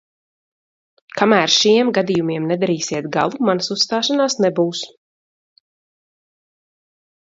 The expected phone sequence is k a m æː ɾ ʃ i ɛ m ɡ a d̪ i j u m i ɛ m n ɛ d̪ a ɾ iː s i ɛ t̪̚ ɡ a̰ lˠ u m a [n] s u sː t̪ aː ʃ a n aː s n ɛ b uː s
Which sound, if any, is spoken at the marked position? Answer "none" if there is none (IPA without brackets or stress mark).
n